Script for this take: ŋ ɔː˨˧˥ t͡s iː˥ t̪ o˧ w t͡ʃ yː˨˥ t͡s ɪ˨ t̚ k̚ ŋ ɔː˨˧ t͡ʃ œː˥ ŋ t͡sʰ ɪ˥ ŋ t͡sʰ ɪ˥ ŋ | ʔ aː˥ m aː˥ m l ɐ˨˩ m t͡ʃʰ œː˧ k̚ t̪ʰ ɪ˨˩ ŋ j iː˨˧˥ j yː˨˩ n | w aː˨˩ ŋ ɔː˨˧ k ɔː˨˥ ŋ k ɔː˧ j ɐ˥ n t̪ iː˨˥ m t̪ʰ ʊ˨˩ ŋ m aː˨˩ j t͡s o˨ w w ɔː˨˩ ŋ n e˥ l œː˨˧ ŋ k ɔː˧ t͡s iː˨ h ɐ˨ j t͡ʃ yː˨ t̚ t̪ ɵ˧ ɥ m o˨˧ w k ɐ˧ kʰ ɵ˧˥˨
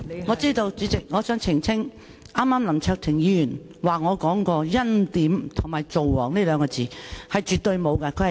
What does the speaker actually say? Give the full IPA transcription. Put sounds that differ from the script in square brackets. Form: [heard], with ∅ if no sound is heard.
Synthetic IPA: ŋ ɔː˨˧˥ t͡s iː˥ t̪ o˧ w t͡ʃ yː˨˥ t͡s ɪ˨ [∅] k̚ ŋ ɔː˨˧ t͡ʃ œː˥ ŋ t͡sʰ [ɪ˨˩] ŋ t͡sʰ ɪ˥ ŋ | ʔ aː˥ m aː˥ m l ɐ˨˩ m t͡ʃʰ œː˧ k̚ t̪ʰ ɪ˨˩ ŋ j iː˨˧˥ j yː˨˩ n | w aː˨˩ ŋ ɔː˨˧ k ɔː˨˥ ŋ k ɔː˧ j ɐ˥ n t̪ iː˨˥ m t̪ʰ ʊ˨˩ ŋ m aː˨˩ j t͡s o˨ w w ɔː˨˩ ŋ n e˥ l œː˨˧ ŋ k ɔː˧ t͡s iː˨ h ɐ˨ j t͡ʃ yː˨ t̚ t̪ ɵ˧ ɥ m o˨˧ w k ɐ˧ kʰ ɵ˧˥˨